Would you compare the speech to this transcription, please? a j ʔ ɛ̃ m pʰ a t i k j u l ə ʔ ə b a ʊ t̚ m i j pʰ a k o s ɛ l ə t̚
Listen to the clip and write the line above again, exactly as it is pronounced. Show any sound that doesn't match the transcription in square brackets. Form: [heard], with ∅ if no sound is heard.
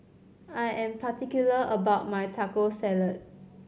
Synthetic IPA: a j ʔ ɛ̃ m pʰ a t i k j u l ə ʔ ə b a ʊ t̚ m [a] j [tʰ] a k o s ɛ l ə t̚